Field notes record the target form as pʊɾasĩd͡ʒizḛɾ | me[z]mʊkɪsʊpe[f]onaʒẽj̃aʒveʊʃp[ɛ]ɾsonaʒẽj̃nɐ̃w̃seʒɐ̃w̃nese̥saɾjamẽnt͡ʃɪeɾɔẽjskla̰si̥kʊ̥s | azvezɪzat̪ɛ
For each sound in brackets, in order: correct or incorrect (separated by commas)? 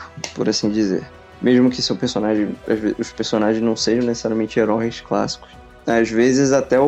incorrect, incorrect, incorrect